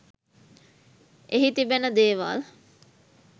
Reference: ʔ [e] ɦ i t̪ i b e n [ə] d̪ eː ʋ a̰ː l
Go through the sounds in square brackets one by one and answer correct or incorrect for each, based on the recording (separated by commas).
correct, correct